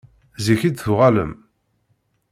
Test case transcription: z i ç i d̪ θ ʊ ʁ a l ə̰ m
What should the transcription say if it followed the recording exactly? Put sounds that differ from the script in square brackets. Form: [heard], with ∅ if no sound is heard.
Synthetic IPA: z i ç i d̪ θ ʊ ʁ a l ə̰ m